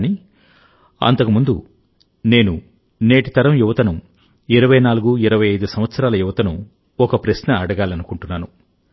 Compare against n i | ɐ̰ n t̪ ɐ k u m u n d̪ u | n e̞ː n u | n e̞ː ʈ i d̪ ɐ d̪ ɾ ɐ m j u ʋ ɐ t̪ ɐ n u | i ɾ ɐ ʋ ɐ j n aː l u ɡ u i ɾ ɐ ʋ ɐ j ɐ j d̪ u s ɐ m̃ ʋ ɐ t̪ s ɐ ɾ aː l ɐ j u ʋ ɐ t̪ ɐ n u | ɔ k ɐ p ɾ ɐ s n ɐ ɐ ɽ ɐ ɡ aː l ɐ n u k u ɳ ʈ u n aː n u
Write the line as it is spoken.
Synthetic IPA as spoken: n i | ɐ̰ n t̪ ɐ k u m u n d̪ u | n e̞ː n u | n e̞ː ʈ i t̪ ɐ ɾ ɐ m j u ʋ ɐ t̪ ɐ n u | i ɾ ɐ ʋ ɐ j n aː l u ɡ u i ɾ ɐ ʋ ɐ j ɐ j d̪ u s ɐ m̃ ʋ ɐ t̪ s ɐ ɾ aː l ɐ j u ʋ ɐ t̪ ɐ n u | ɔ k ɐ p ɾ ɐ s n ɐ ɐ ɽ ɐ ɡ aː l ɐ n u k u ɳ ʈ u nː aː n u

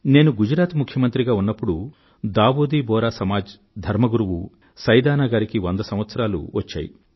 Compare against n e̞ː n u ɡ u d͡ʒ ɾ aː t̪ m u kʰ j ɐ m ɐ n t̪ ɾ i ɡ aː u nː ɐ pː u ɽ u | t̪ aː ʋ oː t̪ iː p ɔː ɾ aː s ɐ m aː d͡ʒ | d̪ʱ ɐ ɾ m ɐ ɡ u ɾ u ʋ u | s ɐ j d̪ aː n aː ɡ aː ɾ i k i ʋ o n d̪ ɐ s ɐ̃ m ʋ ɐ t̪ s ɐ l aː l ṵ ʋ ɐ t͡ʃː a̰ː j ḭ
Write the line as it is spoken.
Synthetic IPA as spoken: n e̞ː n u ɡ u d͡ʒ ɾ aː t̪ m u kʰ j ɐ m ɐ n t̪ ɾ i ɡ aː u nː ɐ pː u ɽ u | d̪ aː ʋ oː d̪ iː b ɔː ɾ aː s ɐ m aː d͡ʒ | d̪ʱ ɐ ɾ m ɐ ɡ u ɾ u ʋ u | s ɐ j d̪ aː n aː ɡ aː ɾ i k i ʋ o n d̪ ɐ s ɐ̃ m ʋ ɐ t̪ s ɐ ɾ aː l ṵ ʋ ɐ t͡ʃː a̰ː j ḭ

